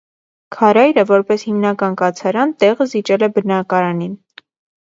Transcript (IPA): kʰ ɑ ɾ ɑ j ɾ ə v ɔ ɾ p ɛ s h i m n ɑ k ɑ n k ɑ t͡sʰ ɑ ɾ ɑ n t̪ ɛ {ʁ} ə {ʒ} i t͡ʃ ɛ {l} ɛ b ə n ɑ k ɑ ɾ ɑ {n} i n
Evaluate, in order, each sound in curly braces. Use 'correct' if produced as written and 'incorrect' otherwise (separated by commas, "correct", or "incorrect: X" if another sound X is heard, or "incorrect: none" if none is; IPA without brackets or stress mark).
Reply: correct, incorrect: z, correct, correct